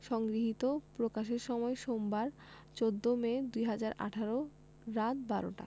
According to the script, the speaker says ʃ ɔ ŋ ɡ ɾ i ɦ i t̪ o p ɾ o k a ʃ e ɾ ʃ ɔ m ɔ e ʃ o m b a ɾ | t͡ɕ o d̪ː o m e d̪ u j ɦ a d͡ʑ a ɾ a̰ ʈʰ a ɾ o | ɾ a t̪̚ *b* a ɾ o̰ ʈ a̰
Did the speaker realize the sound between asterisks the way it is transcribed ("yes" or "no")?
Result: yes